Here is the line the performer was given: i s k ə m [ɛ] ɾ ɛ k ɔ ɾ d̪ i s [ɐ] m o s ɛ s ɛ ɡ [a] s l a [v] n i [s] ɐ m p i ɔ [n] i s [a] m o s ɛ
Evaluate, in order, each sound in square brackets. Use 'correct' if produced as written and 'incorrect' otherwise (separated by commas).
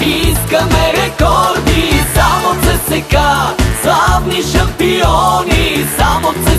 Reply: correct, incorrect, correct, correct, incorrect, correct, correct